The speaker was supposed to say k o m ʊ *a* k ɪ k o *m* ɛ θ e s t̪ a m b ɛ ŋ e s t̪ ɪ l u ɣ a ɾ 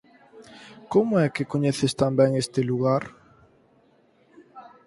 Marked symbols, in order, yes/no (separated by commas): no, no